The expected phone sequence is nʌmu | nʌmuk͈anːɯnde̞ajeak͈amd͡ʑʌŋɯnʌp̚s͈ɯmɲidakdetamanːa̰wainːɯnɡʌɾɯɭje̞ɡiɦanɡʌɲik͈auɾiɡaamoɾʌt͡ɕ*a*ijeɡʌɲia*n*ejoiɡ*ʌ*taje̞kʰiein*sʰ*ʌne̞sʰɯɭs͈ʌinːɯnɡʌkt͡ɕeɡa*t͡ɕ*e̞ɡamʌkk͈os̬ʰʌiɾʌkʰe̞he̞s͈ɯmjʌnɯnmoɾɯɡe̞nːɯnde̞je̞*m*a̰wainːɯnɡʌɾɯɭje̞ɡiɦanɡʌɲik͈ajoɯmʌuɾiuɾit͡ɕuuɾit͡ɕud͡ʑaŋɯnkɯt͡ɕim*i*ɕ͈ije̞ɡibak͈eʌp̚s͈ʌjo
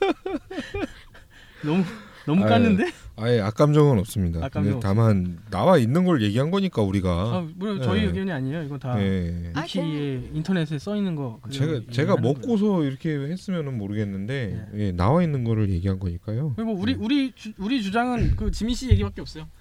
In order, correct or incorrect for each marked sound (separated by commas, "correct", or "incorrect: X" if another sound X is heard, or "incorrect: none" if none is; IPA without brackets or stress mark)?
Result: incorrect: ʌ, incorrect: ɲ, correct, incorrect: tʰ, correct, incorrect: n, correct